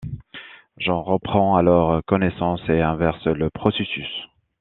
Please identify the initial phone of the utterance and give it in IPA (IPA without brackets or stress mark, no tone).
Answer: ʒ